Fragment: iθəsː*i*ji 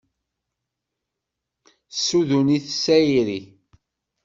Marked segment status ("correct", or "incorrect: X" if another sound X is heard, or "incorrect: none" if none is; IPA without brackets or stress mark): incorrect: æ